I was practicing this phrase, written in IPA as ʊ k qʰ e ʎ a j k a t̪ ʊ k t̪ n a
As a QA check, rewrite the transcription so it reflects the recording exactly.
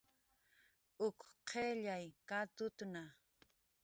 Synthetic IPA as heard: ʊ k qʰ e ʎ a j k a t̪ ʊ t̪ n a